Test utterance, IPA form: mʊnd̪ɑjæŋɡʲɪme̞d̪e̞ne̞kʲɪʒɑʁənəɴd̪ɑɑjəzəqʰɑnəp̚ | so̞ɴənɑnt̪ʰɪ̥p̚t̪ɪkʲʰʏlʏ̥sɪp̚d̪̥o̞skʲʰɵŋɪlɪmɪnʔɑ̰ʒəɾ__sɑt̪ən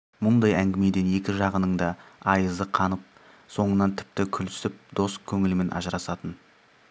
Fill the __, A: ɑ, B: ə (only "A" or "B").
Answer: A